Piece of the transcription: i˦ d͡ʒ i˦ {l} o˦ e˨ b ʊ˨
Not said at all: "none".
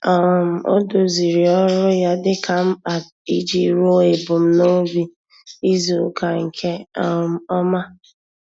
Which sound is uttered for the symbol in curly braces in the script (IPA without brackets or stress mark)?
ɾ